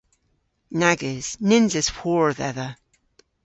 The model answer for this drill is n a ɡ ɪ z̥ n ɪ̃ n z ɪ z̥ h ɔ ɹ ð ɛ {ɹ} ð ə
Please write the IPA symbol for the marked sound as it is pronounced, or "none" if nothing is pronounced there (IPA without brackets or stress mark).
none